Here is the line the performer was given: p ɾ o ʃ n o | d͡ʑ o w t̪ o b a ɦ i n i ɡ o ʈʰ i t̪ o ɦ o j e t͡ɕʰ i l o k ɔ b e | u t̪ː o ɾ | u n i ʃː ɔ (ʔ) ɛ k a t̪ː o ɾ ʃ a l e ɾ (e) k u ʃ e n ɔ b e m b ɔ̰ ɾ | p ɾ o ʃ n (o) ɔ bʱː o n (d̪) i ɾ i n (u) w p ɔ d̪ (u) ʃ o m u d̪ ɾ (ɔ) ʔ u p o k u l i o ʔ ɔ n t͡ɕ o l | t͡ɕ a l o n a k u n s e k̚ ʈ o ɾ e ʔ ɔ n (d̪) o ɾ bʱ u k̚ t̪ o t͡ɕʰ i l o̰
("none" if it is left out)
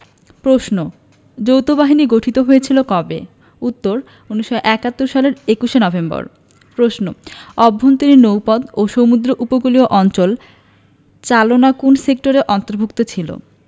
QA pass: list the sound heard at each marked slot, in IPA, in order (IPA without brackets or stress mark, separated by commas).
ʔ, e, o, t̪, o, o, o, t̪